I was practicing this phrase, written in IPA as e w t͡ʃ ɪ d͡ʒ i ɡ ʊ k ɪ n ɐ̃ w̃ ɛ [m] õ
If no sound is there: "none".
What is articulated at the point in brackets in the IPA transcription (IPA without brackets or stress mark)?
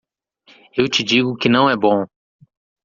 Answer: b